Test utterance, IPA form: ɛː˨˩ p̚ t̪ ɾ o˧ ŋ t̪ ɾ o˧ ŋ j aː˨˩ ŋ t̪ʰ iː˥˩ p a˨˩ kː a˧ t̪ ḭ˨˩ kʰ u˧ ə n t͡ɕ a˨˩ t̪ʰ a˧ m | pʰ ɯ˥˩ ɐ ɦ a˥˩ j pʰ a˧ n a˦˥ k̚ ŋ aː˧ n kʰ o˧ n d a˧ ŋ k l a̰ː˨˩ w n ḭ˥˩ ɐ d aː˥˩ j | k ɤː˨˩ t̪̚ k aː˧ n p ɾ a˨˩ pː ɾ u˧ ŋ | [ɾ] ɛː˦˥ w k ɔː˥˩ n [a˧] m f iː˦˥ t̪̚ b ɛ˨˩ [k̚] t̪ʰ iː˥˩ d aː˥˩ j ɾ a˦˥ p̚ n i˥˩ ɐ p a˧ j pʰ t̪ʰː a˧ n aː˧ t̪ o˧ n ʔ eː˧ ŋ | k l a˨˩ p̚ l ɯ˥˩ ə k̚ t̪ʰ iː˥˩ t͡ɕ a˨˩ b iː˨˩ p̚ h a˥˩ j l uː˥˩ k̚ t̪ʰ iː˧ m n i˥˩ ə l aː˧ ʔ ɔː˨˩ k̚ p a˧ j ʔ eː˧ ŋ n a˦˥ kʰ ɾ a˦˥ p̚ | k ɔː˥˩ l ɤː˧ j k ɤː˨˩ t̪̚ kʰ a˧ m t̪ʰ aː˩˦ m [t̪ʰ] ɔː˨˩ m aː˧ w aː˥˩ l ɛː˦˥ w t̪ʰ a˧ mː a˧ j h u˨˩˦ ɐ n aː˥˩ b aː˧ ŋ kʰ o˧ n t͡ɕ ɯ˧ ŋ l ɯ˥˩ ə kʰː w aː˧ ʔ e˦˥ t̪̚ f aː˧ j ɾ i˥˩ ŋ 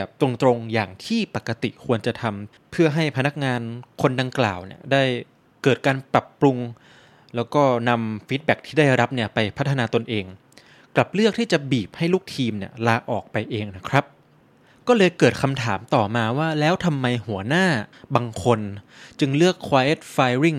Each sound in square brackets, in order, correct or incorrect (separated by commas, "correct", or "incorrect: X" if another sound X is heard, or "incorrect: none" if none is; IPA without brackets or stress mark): incorrect: l, correct, correct, incorrect: t̪